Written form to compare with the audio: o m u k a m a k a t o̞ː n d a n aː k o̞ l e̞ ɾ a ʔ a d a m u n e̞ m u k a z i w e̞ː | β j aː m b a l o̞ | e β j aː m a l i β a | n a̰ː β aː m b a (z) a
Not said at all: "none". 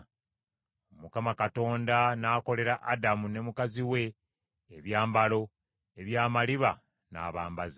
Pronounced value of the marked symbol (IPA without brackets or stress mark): z